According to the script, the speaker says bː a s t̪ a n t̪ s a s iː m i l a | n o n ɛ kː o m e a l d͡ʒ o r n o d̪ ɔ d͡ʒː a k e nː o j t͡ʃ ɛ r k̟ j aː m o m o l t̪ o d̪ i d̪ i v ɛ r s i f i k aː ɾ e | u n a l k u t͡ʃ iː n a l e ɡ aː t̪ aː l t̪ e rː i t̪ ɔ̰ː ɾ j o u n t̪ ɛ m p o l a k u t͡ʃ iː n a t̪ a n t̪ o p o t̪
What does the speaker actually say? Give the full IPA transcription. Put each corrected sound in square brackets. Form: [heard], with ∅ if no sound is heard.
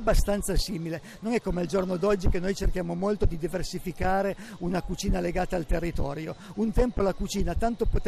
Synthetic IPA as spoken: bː a s t̪ a n t̪ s a s iː m i l [e] | n o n ɛ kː o m e a l d͡ʒ o r n o d̪ ɔ d͡ʒː [i] k e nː o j t͡ʃ [e] r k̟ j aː m o m o l t̪ o d̪ i d̪ i v [e] r s i f i k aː ɾ e | u n a [∅] k u t͡ʃ iː n a l e ɡ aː t̪ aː l t̪ e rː i t̪ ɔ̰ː ɾ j o u n t̪ ɛ m p o l a k u t͡ʃ iː n a t̪ a n t̪ o p o t̪